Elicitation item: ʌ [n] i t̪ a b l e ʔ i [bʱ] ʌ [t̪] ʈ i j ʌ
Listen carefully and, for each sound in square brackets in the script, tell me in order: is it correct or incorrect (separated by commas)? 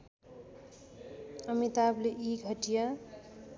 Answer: incorrect, incorrect, incorrect